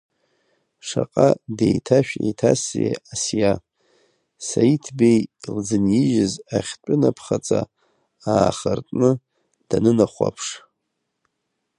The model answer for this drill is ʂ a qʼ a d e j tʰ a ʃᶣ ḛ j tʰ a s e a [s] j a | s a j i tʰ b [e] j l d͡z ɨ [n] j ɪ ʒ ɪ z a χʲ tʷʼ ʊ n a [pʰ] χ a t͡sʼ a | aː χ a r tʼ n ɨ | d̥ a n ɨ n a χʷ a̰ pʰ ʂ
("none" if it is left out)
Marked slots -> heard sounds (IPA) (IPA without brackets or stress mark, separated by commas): s, e, n, pʰ